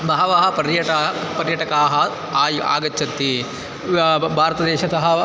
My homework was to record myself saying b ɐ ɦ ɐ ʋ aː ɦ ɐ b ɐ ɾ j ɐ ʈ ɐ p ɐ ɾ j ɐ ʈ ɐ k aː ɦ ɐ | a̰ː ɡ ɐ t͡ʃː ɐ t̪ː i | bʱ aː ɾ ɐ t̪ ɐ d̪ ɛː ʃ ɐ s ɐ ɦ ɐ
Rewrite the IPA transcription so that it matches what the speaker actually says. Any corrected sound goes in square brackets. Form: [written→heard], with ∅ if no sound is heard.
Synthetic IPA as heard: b ɐ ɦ ɐ ʋ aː ɦ ɐ [b→p] ɐ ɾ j ɐ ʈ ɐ p ɐ ɾ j ɐ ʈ ɐ k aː ɦ ɐ | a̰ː ɡ ɐ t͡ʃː ɐ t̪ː i | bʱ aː ɾ ɐ t̪ ɐ d̪ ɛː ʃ ɐ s ɐ ɦ ɐ